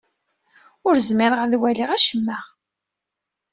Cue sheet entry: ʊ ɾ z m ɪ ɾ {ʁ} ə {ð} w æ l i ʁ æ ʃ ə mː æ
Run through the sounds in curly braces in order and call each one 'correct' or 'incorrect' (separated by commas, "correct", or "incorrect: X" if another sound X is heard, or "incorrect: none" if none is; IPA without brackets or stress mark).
correct, correct